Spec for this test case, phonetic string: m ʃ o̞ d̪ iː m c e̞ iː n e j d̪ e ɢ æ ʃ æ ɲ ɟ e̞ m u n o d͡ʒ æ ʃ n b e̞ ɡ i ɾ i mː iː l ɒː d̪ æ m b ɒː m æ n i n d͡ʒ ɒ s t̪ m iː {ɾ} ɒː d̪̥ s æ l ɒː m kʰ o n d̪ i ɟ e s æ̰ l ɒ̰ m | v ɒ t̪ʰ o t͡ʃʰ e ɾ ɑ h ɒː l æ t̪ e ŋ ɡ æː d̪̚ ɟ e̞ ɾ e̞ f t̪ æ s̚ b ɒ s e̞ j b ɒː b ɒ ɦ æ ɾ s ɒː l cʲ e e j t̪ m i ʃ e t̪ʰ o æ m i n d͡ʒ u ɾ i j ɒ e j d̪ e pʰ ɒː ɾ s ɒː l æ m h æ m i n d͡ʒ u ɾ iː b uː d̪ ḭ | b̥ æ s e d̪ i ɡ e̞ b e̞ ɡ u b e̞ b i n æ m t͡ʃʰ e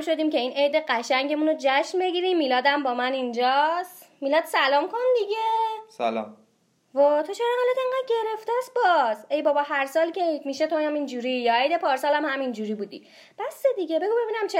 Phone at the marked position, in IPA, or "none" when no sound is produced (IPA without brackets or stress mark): l